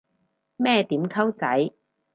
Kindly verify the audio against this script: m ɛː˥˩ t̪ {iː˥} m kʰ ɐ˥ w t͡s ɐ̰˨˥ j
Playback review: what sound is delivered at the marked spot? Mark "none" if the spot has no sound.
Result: iː˨˥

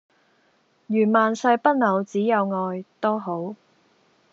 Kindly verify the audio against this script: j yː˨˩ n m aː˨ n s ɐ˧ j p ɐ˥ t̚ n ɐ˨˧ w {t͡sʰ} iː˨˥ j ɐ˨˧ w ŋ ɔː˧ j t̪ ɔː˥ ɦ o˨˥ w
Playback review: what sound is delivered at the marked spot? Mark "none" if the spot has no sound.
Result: t͡s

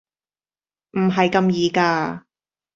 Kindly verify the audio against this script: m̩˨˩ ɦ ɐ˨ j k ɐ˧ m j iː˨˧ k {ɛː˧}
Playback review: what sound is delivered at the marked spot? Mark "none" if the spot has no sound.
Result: aː˧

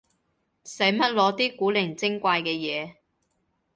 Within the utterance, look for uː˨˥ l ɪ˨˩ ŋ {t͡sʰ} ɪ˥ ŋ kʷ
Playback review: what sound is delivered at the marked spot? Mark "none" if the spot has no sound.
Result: t͡s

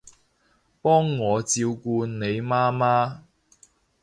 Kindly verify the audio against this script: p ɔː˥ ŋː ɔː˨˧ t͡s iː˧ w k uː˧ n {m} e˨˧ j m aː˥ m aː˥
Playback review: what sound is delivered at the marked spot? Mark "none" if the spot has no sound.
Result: n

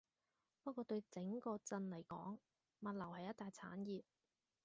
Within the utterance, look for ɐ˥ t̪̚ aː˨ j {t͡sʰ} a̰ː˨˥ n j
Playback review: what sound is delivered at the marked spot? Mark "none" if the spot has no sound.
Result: t͡sʰ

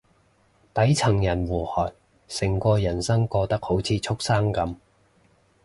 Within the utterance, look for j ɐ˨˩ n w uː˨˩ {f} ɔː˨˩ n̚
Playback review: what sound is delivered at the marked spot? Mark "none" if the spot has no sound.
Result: h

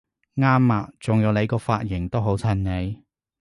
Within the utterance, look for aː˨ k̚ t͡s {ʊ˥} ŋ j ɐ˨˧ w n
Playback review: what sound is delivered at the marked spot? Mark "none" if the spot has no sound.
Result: ʊ˨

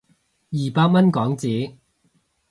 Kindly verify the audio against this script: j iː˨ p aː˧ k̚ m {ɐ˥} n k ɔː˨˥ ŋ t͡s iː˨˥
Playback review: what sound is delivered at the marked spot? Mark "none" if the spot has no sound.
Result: ɐ˥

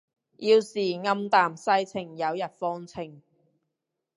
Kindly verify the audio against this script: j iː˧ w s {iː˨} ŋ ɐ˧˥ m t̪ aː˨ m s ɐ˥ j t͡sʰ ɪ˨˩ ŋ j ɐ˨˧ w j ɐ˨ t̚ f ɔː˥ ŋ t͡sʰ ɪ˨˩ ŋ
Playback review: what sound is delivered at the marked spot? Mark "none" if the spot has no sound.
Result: iː˨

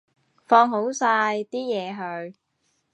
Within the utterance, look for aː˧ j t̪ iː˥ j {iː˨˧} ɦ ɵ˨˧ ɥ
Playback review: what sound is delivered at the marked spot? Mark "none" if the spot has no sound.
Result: ɛː˨˧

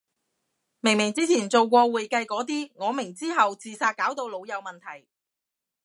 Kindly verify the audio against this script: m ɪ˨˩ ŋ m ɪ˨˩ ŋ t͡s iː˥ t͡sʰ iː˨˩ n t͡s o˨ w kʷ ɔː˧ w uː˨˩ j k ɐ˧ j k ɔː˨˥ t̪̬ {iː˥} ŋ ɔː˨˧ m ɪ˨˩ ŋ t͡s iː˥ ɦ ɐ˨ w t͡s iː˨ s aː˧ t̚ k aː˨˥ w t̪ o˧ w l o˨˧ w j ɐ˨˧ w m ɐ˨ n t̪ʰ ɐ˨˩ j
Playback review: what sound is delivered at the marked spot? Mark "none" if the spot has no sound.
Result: iː˥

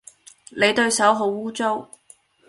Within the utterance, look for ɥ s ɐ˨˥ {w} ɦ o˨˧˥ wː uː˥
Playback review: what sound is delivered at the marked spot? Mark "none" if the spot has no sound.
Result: w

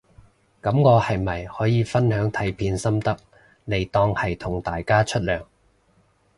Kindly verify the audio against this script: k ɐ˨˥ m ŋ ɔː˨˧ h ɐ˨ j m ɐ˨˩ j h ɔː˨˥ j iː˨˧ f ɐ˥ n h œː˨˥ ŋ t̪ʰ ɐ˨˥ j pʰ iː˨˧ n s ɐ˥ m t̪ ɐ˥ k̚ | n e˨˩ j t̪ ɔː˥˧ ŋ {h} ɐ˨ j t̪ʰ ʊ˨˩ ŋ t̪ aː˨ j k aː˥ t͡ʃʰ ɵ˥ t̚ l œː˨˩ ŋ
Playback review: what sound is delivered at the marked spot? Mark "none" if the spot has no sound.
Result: h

